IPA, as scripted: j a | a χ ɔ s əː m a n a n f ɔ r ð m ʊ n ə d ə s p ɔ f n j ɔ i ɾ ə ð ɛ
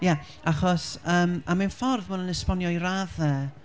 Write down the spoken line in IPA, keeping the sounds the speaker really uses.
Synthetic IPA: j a | a χ ɔ s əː m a m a n f ɔ r ð m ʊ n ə n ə s p ɔ n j ɔ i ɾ a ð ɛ